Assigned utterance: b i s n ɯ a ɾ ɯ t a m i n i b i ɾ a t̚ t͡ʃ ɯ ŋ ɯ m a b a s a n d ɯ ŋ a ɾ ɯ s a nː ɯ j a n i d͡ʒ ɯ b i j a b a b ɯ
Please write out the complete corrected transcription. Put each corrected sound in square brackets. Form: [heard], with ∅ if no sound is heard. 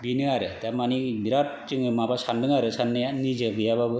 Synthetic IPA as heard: b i [∅] n ɯ a ɾ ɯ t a m [a] n i b i ɾ a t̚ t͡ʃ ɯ ŋ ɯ m a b a s a n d ɯ ŋ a ɾ ɯ s a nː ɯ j a n i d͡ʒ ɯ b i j a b a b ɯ

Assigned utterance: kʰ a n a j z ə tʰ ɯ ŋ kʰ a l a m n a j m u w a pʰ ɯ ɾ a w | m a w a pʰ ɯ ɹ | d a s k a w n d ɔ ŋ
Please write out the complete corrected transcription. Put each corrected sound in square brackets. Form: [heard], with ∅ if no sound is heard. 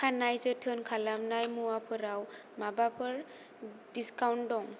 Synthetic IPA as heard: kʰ a n a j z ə tʰ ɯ [n] kʰ a l a m n a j m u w a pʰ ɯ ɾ a w | m a [b] a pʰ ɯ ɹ | d [i] s k a w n d ɔ ŋ

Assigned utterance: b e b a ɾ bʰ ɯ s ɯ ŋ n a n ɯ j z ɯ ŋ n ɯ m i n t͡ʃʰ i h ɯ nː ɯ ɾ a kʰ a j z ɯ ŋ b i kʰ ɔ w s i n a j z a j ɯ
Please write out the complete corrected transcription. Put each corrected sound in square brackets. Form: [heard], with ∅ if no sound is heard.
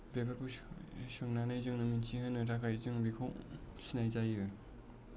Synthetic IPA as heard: b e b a ɾ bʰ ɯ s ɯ ŋ n a n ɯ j z ɯ ŋ n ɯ m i n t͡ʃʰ i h ɯ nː ɯ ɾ a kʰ a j z ɯ ŋ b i kʰ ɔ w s i n a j z a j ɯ

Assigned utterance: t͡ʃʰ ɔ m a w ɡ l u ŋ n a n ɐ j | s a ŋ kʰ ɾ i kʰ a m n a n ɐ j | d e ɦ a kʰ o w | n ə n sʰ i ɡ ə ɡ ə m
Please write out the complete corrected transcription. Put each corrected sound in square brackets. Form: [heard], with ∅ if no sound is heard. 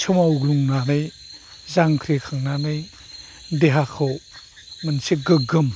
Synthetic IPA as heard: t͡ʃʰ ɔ m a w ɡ l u ŋ n a n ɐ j | [z] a ŋ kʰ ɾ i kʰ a [ŋ] n a n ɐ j | d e ɦ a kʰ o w | [m] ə n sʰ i ɡ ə ɡ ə m

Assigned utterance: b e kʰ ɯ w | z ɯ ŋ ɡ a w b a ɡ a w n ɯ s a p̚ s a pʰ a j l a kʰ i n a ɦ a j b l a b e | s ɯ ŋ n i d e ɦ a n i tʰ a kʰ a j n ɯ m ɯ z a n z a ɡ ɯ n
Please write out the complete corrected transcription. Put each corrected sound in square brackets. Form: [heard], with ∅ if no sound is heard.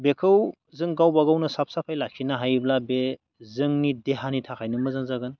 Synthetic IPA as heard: b e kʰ ɯ w | z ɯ ŋ ɡ a w b a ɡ a w n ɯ s a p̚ s a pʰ a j l a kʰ i n a ɦ a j b l a b e | [z] ɯ ŋ n i d e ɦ a n i tʰ a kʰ a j n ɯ m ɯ z a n z a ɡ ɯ n

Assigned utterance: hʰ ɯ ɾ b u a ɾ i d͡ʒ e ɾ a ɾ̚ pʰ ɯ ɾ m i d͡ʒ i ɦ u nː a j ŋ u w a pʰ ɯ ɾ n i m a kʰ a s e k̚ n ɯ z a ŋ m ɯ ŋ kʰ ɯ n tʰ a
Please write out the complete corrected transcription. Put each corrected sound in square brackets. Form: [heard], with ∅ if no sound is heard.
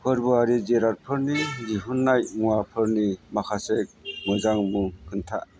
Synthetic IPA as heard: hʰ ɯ ɾ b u a ɾ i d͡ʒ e ɾ a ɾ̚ pʰ ɯ ɾ [n] i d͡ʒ i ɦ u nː a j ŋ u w a pʰ ɯ ɾ n i m a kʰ a s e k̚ [m] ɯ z a ŋ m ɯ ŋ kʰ ɯ n tʰ a

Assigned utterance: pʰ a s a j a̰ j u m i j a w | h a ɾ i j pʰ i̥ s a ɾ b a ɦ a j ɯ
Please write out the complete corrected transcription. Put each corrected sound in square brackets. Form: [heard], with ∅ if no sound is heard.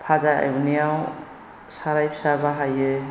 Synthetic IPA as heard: pʰ a [z] a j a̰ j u [n] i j a w | [s] a ɾ [a] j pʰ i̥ s a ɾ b a ɦ a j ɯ

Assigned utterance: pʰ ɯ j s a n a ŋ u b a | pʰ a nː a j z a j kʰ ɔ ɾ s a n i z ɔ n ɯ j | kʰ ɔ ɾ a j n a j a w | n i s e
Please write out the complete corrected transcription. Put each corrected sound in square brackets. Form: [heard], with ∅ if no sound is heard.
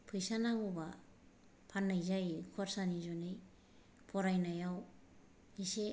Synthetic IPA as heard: pʰ ɯ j s a n a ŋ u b a | pʰ a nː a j z a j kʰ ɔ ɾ s a n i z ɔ n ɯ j | [pʰ] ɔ ɾ a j n a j a w | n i s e

